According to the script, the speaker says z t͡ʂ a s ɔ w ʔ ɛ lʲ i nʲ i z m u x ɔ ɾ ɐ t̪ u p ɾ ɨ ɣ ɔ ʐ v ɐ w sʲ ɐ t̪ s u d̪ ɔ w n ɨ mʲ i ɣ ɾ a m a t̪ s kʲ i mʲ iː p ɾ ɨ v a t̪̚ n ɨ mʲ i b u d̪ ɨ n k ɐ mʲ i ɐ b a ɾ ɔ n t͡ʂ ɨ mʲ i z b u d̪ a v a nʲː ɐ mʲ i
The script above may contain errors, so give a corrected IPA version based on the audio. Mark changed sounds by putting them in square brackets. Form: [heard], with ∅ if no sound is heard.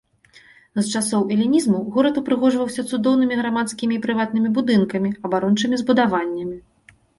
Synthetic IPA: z t͡ʂ a s ɔ w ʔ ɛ lʲ i nʲ i z m u [ɣ] ɔ ɾ ɐ t̪ u p ɾ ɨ ɣ ɔ ʐ v ɐ w sʲ ɐ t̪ s u d̪ ɔ w n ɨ mʲ i ɣ ɾ a m a t̪ s kʲ i mʲ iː p ɾ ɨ v a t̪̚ n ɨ mʲ i b u d̪ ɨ n k ɐ mʲ i ɐ b a ɾ ɔ n t͡ʂ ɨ mʲ i z b u d̪ a v a nʲː ɐ mʲ i